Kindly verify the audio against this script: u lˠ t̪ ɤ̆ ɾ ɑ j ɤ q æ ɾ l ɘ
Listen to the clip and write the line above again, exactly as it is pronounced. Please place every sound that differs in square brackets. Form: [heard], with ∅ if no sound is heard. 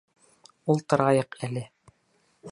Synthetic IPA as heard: u lˠ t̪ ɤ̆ ɾ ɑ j ɤ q æ [∅] l ɘ

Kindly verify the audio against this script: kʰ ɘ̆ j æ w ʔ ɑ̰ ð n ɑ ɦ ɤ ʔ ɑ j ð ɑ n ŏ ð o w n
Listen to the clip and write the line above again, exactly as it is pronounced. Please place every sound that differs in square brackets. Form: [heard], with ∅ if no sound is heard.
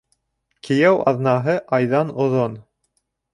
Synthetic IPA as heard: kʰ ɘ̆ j æ w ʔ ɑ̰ ð n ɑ ɦ ɤ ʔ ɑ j ð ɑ n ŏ ð o [∅] n

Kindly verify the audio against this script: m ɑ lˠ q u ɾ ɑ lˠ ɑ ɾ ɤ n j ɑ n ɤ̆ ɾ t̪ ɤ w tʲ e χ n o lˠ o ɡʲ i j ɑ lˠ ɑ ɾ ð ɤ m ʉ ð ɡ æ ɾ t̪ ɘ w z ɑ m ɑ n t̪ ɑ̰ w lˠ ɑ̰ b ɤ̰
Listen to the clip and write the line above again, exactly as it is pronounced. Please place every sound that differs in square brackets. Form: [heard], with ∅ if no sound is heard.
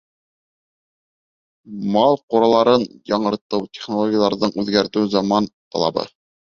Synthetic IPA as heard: m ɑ lˠ q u ɾ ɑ lˠ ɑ ɾ ɤ n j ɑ [ɴ] ɤ̆ ɾ t̪ ɤ w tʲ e χ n o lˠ o ɡʲ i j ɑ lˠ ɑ ɾ ð ɤ [ɴ] ʉ ð ɡ æ ɾ t̪ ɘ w z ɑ m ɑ n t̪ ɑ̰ [∅] lˠ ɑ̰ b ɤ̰

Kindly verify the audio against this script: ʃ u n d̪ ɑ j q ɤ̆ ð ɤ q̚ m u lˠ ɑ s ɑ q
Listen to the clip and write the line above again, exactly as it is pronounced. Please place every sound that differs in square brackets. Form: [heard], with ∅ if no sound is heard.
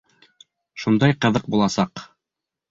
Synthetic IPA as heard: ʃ u n d̪ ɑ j q ɤ̆ ð ɤ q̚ [b] u lˠ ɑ s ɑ q

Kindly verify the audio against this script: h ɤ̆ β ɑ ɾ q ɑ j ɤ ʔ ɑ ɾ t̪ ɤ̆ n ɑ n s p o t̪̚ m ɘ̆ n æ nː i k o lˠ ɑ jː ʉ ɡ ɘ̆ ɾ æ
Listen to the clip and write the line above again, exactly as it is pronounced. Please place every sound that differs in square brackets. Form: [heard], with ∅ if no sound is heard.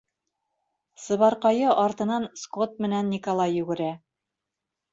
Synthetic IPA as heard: [s] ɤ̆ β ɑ ɾ q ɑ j ɤ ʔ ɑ ɾ t̪ ɤ̆ n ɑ n s [k] o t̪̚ m ɘ̆ n æ nː i k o lˠ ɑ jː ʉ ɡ ɘ̆ ɾ æ

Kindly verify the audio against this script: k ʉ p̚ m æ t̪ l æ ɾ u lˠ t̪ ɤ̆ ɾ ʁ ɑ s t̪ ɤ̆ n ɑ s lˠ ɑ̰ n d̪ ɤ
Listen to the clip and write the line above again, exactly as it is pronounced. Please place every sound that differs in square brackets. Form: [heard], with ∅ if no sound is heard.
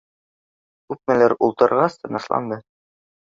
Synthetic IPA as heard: k ʉ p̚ m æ [∅] l æ ɾ u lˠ t̪ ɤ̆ ɾ ʁ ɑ s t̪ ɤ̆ n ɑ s lˠ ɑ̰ n d̪ ɤ

